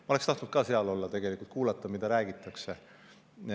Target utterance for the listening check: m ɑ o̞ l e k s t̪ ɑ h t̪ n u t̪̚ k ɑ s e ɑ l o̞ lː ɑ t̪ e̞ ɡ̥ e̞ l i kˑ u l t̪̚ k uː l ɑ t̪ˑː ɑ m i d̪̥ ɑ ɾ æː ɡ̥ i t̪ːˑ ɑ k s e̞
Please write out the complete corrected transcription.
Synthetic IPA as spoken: m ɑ o̞ l e k s t̪ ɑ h t̪ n u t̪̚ k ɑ s e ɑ l o̞ lː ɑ t̪ e̞ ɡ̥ e̞ l i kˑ u l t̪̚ k uː l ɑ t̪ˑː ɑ m i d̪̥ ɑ ɾ æː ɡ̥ i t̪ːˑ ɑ k s e̞

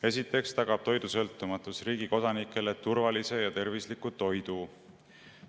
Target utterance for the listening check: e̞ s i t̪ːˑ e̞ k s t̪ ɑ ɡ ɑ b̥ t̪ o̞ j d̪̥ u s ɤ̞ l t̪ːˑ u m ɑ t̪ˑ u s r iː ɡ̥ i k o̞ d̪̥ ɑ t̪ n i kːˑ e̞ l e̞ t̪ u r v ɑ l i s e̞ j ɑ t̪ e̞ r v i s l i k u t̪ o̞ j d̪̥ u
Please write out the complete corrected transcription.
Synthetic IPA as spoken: e̞ s i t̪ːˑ e̞ k s t̪ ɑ ɡ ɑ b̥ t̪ o̞ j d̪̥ u s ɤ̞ l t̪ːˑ u m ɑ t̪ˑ u s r iː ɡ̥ i k o̞ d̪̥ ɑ n i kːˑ e̞ l e̞ t̪ u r v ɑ l i s e̞ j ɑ t̪ e̞ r v i s l i k u t̪ o̞ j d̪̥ u

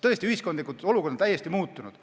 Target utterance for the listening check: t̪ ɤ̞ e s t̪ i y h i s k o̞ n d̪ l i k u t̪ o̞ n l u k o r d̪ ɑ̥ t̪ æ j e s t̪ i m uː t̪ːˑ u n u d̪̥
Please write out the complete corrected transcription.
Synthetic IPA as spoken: t̪ ɤ̞ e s t̪ i y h i s k o̞ n d̪ l i k u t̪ o̞ l u k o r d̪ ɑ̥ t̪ æ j e s t̪ i m uː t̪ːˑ u n u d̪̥

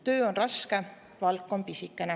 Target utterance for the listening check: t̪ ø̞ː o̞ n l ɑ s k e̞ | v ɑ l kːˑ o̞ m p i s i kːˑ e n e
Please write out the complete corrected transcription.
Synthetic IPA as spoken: t̪ ø̞ː o̞ n r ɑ s k e̞ | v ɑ l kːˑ o̞ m p i s i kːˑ e n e

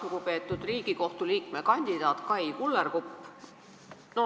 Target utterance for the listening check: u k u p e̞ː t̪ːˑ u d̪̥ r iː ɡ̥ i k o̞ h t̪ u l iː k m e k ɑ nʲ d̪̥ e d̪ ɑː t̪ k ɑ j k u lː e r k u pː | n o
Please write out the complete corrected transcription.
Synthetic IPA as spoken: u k u p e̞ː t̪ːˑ u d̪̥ r iː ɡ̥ i k o̞ h t̪ u l iː k m e k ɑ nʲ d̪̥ i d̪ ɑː t̪ k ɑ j k u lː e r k u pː | n o

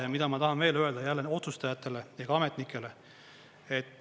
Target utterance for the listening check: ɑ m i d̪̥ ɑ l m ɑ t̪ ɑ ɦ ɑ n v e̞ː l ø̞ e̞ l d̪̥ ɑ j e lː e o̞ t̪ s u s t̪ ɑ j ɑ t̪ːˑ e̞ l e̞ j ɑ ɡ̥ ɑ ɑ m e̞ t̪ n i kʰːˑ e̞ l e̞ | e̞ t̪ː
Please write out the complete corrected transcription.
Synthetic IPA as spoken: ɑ m i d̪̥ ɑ m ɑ t̪ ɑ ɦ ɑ n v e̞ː l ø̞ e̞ l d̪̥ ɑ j æ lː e o̞ t̪ s u s t̪ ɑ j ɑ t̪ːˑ e̞ l e̞ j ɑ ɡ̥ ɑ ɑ m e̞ t̪ n i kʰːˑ e̞ l e̞ | e̞ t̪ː

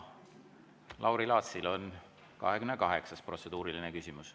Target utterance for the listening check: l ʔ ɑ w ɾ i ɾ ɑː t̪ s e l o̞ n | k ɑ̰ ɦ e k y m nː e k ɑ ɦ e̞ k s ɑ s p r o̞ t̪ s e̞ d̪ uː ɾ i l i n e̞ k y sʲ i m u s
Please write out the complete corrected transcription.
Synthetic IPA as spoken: l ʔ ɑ w ɾ i l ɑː t̪ s i l o̞ n | k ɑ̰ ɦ e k y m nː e k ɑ ɦ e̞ k s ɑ s p r o̞ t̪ s e̞ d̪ uː ɾ i l i n e̞ k y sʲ i m u s

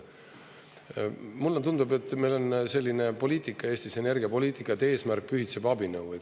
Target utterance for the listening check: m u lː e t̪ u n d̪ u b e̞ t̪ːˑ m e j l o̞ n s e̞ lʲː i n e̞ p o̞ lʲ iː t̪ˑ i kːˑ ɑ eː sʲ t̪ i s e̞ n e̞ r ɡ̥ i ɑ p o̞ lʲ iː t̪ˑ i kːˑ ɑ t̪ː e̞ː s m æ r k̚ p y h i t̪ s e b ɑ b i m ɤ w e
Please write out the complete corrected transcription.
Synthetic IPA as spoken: m u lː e t̪ u n d̪ u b e̞ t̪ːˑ m e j l o̞ n s e̞ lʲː i n e̞ p o̞ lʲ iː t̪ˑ i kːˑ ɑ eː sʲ t̪ i s e̞ n e̞ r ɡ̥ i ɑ p o̞ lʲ iː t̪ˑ i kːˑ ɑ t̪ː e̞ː s m æ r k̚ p y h i t̪ s e b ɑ b i n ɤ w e

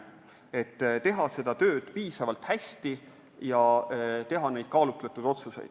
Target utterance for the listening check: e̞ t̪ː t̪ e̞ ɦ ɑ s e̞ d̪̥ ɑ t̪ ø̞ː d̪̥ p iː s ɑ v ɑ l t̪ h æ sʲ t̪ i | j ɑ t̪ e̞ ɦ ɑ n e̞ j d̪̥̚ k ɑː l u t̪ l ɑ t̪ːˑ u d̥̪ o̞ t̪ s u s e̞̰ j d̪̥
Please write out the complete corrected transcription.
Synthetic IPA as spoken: e̞ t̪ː t̪ e̞ ɦ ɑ s e̞ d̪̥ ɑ t̪ ø̞ː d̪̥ p iː s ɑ v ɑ l t̪ h æ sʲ t̪ i | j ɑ t̪ e̞ ɦ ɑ n e̞ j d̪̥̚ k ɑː l u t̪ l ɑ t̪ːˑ u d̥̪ o̞ t̪ s u s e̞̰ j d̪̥

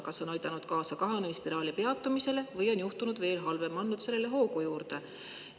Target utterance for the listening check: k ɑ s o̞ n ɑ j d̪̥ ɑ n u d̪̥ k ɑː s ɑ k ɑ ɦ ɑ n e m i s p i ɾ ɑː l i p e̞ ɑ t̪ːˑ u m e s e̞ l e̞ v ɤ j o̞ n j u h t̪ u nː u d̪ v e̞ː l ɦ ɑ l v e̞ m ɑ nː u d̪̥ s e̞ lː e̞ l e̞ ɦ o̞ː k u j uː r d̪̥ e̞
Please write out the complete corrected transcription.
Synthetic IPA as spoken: k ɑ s o̞ n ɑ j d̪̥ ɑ n u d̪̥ k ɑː s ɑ k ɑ ɦ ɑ n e m i s p i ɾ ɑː l i p e̞ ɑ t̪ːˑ u m i s e̞ l e̞ v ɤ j o̞ n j u h t̪ u n u d̪ v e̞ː l ɦ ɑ l v e̞ m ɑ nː u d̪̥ s e̞ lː e̞ l e̞ ɦ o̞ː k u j uː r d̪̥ e̞

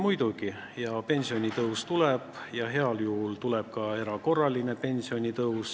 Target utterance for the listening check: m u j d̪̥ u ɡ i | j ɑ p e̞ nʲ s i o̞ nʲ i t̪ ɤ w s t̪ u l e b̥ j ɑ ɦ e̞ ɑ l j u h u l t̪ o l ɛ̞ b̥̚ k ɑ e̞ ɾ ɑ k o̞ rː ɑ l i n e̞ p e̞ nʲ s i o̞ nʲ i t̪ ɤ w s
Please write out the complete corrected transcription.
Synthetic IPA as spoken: m u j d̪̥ u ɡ i | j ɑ p e̞ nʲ s i o̞ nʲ i t̪ ɤ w s t̪ u l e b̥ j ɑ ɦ e̞ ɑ l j u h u l t̪ u l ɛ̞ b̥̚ k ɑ e̞ ɾ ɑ k o̞ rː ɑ l i n e̞ p e̞ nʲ s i o̞ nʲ i t̪ ɤ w s

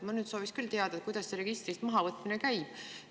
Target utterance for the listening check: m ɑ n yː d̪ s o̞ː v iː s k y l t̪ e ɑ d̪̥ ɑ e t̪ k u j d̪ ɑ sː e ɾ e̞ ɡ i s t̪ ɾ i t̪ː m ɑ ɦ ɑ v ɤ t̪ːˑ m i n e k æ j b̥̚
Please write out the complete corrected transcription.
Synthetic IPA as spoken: m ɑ n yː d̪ s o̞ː v i s k y l t̪ e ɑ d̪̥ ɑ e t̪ k u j d̪ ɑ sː e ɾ e̞ ɡ i s t̪ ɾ i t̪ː m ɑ ɦ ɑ v ɤ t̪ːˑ m i n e k æ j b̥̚

